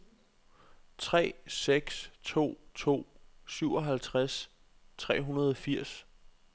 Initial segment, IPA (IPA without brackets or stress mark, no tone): t͡sʰ